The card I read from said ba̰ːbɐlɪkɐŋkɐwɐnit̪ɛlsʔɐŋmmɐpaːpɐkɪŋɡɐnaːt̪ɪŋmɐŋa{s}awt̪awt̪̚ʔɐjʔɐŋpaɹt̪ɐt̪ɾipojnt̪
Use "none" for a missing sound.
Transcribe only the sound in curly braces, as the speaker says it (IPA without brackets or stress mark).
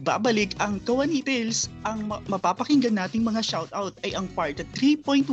ʃ